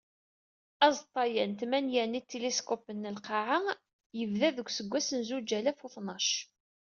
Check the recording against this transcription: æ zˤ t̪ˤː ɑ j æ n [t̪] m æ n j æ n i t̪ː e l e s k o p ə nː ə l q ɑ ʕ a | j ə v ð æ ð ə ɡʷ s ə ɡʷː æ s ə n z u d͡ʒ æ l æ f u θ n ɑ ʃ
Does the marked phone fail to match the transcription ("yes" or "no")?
no